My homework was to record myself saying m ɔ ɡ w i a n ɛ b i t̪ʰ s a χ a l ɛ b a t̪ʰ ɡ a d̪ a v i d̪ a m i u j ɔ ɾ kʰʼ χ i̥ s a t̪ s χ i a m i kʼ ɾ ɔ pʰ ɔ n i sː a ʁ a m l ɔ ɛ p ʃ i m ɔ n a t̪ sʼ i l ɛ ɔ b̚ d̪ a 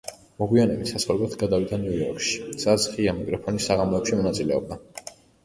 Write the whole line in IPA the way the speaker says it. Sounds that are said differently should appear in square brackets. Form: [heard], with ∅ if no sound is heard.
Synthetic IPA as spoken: m ɔ ɡ w i a n ɛ b i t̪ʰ s a [s] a l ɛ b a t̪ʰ ɡ a d̪ a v i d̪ a [n] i u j ɔ ɾ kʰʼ [ʃ] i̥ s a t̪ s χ i a m i kʼ ɾ ɔ pʰ ɔ n i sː a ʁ a m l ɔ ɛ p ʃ i m ɔ n a t̪ sʼ i l ɛ ɔ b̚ d̪ a